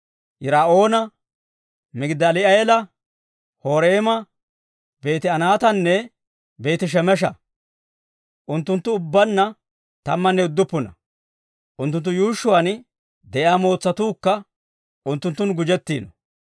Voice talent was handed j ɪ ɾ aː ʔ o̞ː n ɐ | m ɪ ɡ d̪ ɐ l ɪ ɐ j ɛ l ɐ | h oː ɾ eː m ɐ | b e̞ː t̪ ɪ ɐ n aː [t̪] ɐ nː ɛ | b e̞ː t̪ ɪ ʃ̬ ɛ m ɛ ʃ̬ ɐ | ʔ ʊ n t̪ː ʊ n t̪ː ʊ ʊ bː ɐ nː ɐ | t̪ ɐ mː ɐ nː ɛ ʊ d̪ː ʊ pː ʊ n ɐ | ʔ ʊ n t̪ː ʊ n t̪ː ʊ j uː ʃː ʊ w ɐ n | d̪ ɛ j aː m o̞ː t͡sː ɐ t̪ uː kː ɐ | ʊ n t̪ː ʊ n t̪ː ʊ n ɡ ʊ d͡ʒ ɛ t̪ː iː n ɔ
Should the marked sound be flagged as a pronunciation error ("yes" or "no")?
no